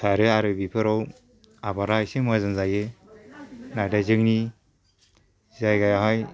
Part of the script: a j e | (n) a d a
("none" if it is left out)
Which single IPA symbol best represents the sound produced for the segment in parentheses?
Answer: n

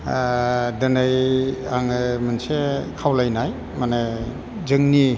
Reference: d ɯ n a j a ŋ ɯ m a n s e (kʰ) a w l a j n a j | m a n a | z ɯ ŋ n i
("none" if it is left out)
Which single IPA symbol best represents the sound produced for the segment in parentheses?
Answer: kʰ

